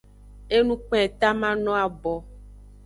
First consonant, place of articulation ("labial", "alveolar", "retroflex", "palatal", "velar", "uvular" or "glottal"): alveolar